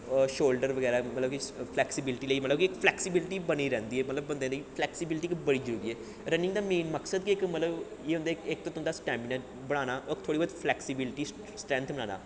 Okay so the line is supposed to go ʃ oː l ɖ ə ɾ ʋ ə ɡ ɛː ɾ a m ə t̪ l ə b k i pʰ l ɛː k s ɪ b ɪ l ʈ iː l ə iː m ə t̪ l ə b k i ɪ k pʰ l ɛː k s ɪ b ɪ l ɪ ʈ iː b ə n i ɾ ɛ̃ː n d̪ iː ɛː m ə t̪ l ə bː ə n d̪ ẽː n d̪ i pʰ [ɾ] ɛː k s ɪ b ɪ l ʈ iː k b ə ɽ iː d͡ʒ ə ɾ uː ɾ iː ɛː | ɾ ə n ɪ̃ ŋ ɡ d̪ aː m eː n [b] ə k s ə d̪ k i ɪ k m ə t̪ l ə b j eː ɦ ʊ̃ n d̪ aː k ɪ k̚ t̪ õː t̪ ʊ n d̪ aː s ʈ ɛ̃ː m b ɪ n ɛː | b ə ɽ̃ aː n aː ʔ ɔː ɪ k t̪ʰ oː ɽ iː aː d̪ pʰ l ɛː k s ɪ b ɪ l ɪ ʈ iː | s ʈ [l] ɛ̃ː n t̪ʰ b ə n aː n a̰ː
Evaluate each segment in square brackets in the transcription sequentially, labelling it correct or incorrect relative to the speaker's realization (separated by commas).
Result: incorrect, incorrect, incorrect